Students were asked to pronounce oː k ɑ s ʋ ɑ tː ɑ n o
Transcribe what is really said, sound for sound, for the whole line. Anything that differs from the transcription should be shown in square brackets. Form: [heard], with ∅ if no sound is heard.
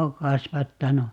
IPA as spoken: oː k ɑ s ʋ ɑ tː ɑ n [u]